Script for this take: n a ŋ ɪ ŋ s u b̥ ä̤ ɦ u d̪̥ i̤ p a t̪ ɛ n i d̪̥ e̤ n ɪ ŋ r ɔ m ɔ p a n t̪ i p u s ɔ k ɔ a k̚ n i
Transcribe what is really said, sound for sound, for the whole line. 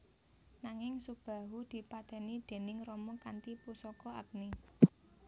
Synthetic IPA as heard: n a ŋ ɪ ŋ s u b̥ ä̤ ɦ u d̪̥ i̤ p a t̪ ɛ n i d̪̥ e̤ n ɪ ŋ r ɔ m ɔ k a n t̪ i p u s ɔ k ɔ a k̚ n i